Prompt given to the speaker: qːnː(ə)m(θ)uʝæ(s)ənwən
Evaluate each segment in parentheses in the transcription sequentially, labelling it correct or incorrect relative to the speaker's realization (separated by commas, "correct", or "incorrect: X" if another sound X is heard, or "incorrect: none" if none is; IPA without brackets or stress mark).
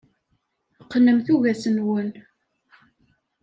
correct, correct, correct